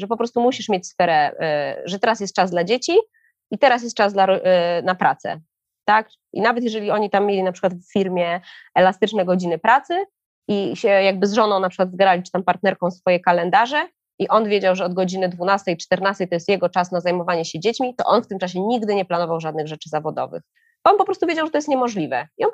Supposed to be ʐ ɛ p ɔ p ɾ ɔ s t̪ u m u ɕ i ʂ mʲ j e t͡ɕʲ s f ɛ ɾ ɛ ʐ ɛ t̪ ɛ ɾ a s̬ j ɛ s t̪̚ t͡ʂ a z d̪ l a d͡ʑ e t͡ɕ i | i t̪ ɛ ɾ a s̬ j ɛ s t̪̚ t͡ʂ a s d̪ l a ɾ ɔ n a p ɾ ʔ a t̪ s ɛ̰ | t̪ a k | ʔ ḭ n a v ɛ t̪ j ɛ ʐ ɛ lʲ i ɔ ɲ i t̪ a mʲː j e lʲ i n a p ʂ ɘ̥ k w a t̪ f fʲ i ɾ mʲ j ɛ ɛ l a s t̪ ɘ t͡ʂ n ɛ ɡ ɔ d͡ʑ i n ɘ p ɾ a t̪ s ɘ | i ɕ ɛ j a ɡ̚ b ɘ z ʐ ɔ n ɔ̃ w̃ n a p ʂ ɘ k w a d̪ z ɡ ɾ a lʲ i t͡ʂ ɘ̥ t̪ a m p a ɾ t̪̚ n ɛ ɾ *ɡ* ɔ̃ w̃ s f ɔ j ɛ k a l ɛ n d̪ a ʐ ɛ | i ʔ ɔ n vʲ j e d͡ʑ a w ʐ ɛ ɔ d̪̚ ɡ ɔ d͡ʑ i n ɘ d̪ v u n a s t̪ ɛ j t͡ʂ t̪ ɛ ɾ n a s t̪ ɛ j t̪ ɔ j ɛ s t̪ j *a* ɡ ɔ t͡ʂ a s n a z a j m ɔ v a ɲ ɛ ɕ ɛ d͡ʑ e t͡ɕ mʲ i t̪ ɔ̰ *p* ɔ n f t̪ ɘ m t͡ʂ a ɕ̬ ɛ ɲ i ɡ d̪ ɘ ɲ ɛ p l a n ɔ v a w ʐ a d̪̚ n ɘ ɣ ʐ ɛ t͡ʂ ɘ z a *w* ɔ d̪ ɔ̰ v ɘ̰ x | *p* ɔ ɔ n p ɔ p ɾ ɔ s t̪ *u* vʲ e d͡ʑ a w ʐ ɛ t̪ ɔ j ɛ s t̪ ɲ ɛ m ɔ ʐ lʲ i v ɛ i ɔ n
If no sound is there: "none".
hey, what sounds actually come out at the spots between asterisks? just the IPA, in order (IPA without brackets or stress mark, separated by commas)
k, ɛ, ʔ, v, b, u